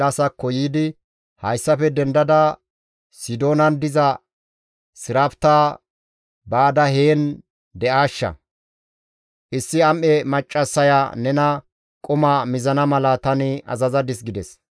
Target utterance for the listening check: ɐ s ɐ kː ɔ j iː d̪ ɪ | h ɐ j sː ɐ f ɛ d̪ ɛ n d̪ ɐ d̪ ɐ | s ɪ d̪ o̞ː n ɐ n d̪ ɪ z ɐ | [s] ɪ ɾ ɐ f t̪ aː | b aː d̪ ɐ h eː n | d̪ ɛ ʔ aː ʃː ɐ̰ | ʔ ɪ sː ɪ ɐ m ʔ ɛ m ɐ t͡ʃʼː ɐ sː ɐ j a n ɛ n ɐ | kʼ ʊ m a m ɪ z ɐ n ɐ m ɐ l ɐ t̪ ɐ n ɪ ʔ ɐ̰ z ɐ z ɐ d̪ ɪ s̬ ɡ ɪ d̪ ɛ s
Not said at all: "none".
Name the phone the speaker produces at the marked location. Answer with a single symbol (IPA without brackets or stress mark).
s